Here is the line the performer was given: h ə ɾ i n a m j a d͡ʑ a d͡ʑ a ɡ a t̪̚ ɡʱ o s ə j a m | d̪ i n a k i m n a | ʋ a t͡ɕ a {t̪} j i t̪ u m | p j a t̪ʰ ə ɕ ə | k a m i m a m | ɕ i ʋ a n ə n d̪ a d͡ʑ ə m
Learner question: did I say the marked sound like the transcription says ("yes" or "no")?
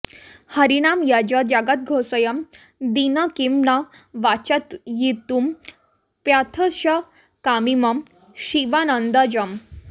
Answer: yes